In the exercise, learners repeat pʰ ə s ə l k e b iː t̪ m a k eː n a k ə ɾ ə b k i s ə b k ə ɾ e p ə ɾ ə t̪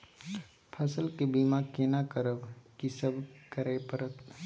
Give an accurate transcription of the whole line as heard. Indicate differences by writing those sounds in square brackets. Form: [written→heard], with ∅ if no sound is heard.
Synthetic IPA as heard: pʰ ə s ə l k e b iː [t̪→∅] m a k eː n a k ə ɾ ə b k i s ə b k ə ɾ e p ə ɾ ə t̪